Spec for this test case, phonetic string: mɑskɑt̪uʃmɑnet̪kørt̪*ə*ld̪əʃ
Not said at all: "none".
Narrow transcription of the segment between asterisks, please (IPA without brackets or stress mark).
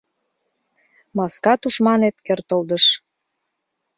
ə